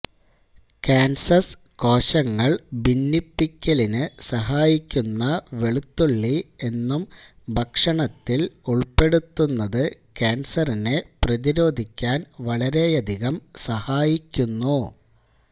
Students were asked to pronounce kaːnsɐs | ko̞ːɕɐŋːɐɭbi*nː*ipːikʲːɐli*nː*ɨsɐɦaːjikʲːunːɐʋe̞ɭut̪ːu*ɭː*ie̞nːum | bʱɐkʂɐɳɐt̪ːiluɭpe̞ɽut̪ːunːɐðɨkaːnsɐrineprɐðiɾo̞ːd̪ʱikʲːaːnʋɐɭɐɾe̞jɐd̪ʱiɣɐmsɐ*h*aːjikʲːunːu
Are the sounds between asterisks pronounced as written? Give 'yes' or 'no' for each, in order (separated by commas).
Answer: yes, no, yes, yes